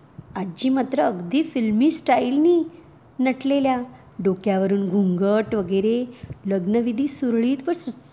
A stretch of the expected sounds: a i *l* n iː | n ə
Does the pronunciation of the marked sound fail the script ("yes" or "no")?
no